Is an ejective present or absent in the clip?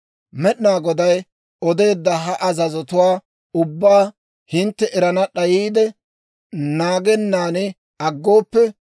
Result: absent